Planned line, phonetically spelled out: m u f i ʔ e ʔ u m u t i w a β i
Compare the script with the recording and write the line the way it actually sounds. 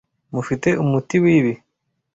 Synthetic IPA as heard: m u f i t e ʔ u m u t i w i β i